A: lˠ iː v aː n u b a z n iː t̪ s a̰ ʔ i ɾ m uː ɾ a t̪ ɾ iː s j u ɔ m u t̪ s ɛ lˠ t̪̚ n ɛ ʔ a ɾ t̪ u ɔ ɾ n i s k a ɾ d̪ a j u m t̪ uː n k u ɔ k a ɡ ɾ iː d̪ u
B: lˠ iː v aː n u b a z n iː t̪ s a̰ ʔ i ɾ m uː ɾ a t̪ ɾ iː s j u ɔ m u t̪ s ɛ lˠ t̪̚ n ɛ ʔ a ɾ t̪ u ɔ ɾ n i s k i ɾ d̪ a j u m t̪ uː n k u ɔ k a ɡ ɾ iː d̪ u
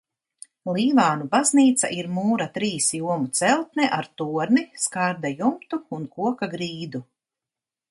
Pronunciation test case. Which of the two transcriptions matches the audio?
A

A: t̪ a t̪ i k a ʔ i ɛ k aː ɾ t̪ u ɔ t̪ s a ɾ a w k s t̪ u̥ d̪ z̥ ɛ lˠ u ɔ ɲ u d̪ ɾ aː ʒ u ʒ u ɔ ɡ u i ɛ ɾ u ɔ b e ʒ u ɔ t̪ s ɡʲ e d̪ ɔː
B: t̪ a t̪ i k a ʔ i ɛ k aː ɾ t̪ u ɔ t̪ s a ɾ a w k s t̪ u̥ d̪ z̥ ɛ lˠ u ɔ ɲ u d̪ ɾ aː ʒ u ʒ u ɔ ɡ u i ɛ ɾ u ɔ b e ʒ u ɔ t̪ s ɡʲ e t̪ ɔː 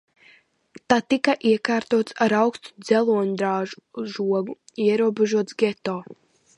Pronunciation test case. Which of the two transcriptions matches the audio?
B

